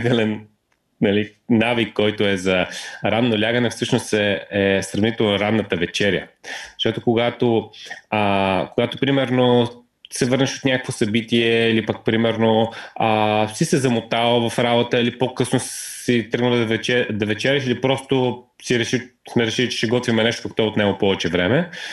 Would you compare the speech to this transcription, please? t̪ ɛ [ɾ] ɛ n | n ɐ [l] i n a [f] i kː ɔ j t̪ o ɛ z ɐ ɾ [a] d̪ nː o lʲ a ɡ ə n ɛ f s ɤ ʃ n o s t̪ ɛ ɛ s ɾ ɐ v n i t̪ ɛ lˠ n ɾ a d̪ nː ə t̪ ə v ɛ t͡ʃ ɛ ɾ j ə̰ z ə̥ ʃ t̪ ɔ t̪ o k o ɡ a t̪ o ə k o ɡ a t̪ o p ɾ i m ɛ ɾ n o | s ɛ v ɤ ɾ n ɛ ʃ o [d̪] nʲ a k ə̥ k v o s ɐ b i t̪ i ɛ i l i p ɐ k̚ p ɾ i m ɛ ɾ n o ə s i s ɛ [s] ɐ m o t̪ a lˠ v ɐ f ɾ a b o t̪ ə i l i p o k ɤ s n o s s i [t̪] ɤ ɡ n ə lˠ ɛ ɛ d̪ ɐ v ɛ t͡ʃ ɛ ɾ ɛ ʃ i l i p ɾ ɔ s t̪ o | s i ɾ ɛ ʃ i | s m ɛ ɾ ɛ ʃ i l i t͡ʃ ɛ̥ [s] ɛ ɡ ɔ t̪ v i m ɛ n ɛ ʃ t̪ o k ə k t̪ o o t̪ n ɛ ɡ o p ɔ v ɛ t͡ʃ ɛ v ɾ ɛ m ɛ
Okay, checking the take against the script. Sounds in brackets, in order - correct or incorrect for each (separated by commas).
incorrect, correct, incorrect, correct, incorrect, incorrect, correct, incorrect